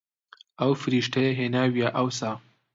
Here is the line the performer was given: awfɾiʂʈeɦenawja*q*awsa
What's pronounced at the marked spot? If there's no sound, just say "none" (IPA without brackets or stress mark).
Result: ʔ